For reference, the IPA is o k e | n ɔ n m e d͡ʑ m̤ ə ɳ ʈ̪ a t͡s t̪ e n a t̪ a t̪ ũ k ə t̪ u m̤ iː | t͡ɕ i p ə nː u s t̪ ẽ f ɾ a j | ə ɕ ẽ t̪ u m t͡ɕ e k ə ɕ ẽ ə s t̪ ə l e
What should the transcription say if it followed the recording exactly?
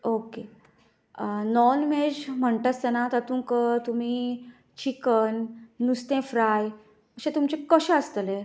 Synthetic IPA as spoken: o k e | n ɔ n m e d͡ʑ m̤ ə ɳ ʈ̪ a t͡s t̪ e n a t̪ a t̪ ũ k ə t̪ u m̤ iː | t͡ɕ i k ə nː u s t̪ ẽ f ɾ a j | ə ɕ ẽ t̪ u m t͡ɕ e k ə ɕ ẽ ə s t̪ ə l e